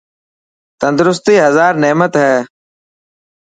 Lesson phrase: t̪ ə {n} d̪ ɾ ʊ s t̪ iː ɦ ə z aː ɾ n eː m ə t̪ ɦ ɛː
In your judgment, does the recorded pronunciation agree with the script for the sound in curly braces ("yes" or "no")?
yes